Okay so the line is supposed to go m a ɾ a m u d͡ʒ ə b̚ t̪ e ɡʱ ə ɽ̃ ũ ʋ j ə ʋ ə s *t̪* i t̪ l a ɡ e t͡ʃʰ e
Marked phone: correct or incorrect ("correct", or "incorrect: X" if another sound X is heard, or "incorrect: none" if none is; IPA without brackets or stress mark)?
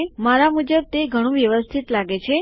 incorrect: t̪ʰ